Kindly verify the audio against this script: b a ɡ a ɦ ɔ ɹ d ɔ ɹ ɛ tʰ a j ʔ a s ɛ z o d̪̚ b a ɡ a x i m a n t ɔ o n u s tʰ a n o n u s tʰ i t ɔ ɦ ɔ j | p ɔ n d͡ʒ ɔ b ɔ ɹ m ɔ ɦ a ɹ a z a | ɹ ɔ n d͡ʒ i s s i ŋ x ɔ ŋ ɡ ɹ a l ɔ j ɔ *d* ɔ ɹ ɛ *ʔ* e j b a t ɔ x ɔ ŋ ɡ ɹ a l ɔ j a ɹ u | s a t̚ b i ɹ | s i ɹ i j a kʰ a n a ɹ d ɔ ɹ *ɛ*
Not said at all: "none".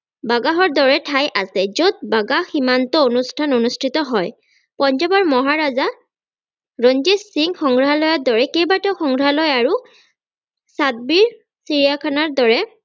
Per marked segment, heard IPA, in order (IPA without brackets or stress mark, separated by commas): d, k, ɛ